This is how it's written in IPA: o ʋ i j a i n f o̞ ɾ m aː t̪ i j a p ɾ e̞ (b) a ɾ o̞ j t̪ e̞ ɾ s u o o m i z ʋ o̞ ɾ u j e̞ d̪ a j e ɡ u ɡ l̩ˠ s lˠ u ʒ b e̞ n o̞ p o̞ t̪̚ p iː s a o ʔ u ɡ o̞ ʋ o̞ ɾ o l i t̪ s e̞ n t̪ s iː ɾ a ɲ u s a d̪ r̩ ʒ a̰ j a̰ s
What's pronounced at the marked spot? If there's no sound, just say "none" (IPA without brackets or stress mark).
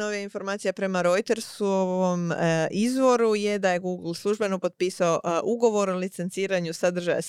m